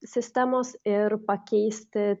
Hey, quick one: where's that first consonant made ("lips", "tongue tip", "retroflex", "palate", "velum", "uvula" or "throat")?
tongue tip